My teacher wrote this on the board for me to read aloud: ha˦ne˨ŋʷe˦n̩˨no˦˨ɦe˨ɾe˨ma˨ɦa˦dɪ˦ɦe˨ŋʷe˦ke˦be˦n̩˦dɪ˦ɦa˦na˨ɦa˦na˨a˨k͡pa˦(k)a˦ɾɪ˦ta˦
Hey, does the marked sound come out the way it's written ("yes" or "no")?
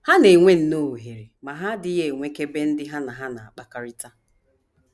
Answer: yes